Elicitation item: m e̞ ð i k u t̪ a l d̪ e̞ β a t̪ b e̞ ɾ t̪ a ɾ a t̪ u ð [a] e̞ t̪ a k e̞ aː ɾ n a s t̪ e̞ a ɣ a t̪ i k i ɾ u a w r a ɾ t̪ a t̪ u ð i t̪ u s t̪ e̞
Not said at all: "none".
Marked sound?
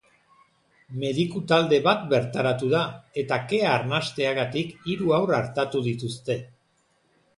a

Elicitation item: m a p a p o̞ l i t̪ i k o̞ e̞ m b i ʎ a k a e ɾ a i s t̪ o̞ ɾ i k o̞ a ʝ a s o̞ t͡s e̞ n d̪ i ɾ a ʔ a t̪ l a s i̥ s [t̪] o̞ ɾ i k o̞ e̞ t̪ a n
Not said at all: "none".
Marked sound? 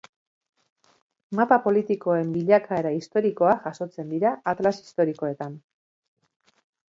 t̪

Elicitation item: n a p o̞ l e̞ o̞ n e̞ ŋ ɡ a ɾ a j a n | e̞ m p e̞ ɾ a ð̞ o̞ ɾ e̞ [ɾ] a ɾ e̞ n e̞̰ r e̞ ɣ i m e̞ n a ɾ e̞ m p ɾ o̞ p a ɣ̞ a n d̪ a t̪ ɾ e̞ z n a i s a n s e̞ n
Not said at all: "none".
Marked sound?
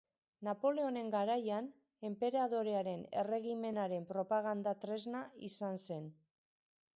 none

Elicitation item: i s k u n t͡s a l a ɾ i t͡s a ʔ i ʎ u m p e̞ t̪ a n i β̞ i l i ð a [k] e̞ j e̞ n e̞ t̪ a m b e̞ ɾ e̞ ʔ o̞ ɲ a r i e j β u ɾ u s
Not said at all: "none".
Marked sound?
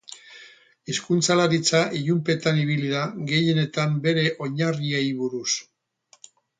ɡ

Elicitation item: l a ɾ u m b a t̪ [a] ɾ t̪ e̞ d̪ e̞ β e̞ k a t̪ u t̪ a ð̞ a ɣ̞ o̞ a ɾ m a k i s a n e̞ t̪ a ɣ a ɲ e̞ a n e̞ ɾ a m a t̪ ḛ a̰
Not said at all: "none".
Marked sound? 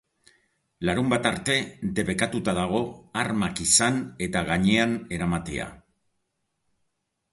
a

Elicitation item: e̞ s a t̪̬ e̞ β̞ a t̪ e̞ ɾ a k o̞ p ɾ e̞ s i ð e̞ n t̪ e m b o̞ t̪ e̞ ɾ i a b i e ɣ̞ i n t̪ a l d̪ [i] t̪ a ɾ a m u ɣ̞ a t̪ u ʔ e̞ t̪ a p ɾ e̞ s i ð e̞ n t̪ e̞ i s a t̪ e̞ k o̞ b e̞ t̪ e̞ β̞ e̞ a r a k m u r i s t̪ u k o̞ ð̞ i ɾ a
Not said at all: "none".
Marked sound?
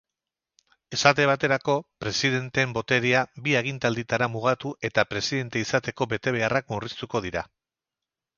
i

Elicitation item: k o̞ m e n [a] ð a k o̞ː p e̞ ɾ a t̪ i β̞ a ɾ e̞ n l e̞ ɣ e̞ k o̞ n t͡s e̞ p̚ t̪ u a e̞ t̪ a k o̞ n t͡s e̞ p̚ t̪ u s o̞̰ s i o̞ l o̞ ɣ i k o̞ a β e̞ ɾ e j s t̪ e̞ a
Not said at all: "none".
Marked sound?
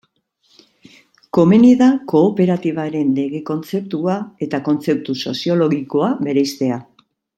i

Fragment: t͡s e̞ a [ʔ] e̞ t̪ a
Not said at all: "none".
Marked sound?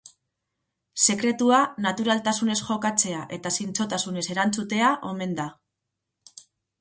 ʔ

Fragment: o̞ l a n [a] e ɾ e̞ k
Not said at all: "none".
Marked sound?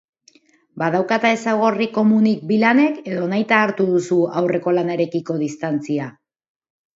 a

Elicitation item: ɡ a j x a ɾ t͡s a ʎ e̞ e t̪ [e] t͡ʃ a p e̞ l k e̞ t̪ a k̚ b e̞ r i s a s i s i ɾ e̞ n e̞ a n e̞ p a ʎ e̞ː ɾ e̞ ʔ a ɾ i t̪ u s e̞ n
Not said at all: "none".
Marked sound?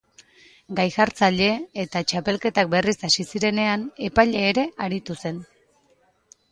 a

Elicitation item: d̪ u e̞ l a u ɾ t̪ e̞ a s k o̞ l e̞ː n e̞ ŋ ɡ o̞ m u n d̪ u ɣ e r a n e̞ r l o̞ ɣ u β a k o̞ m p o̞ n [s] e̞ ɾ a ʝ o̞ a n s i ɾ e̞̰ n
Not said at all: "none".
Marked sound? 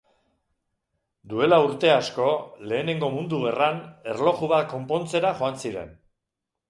t͡s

